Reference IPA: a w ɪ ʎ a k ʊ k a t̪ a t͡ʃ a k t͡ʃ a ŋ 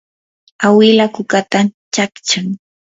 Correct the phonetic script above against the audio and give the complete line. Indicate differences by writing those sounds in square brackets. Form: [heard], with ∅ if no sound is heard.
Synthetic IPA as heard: a w ɪ [l] a k ʊ k a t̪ a t͡ʃ a k t͡ʃ a ŋ